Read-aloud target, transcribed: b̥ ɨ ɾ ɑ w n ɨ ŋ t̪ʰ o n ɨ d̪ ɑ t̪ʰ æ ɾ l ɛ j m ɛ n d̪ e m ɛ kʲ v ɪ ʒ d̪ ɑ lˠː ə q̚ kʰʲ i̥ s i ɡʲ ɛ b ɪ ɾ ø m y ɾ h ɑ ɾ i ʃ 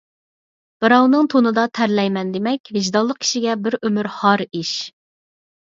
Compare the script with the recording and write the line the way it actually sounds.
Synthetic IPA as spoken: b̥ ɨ ɾ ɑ w n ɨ ŋ t̪ʰ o n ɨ d̪ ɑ t̪ʰ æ ɾ l ɛ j m ɛ n d̪ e m ɛ kʲ v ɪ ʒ d̪ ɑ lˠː ə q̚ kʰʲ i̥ ʃ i ɡʲ ɛ b ɪ ɾ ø m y ɾ h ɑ ɾ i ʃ